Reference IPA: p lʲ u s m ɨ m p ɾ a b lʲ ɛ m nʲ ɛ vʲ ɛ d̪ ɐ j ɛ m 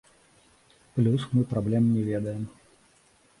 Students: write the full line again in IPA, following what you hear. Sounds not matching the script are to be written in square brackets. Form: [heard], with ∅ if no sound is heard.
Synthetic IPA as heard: p lʲ u s m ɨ [∅] p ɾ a b lʲ ɛ m nʲ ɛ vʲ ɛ d̪ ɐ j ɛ m